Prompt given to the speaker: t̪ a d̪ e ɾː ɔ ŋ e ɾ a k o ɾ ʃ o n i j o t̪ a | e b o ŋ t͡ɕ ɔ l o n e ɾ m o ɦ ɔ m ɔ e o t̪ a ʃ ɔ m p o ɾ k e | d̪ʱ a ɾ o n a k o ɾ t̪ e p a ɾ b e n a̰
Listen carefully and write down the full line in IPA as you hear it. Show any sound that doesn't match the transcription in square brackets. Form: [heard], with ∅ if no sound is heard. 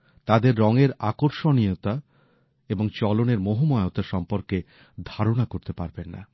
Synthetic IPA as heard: t̪ a d̪ e ɾː ɔ ŋ e ɾ a k o ɾ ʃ o n i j o t̪ a | e b o ŋ t͡ɕ ɔ l o n e ɾ m o ɦ [o] m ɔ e o t̪ a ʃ ɔ m p o ɾ k e | d̪ʱ a ɾ o n a k o ɾ t̪ e p a ɾ b e [nː] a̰